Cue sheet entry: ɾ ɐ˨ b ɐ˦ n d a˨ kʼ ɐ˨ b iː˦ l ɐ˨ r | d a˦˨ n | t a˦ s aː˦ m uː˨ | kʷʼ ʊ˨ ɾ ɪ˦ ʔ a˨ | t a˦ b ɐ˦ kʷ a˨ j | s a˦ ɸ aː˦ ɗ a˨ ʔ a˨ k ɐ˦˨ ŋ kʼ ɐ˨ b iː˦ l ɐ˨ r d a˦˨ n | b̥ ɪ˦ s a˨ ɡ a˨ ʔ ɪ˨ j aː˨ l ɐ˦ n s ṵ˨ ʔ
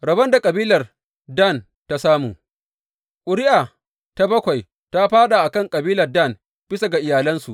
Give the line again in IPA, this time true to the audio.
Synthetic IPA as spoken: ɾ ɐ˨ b ɐ˦ n d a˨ kʼ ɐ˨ b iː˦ l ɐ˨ r | d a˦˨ n | t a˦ s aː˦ m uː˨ | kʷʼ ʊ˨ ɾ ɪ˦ ʔ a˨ | t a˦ b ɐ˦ kʷ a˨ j | t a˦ ɸ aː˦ ɗ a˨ ʔ a˨ k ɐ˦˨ ŋ kʼ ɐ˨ b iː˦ l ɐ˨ r d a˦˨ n | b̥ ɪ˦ s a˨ ɡ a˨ ʔ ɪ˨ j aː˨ l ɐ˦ n s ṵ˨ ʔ